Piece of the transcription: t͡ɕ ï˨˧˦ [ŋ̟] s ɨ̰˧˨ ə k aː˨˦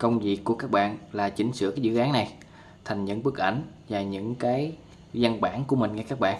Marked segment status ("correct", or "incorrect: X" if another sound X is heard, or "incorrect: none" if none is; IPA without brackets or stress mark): correct